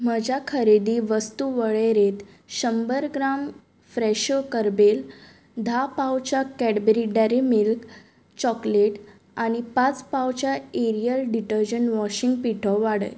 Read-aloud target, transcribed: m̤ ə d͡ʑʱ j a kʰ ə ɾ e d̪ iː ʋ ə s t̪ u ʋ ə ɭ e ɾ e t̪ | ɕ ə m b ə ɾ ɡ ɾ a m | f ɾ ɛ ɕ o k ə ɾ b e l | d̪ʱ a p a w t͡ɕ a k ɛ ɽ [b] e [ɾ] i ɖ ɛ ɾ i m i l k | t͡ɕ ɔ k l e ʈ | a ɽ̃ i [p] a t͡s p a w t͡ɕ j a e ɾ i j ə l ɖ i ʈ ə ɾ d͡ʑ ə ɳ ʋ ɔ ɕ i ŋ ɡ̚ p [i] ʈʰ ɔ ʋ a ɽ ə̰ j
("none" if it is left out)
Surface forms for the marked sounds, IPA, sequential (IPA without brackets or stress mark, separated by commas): b, ɾ, p, i